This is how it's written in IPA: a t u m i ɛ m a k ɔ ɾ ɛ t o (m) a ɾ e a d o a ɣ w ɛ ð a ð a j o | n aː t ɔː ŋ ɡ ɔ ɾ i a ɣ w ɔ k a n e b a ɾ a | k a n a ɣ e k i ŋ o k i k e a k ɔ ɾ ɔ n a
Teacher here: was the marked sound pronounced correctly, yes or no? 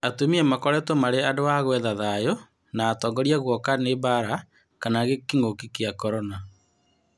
yes